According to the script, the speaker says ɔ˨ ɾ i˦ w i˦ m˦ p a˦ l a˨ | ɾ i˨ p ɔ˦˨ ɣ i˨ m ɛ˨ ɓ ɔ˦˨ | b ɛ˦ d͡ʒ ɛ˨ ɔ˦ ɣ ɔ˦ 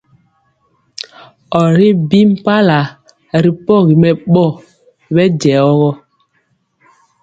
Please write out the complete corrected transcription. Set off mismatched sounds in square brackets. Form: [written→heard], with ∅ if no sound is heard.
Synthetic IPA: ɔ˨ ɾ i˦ [w→b] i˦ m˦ p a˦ l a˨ | ɾ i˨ p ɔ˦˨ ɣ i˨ m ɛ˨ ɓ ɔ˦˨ | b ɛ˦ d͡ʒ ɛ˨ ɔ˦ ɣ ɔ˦